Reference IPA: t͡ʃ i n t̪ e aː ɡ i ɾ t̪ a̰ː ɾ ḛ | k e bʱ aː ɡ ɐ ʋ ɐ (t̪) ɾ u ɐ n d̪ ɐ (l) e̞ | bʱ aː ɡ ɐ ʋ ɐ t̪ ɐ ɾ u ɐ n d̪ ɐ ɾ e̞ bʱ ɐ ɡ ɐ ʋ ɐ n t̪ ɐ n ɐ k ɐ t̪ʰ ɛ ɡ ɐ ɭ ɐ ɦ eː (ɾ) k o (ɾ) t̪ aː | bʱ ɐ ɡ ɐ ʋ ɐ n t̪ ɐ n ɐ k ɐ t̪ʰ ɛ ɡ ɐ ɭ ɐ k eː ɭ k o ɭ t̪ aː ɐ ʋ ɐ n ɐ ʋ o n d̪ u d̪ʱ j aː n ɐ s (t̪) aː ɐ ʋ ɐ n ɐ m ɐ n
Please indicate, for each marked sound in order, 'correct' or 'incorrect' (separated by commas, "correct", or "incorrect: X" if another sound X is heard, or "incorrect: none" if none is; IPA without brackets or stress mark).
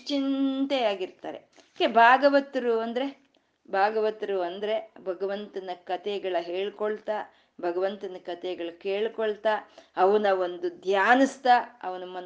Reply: correct, incorrect: ɾ, incorrect: ɭ, incorrect: ɭ, correct